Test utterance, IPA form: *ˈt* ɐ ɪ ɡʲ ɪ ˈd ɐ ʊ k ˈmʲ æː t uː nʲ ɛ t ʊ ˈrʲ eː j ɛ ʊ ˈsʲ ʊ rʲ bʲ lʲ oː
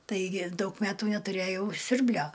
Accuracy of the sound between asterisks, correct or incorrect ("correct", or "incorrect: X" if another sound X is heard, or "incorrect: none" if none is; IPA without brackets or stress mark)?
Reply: correct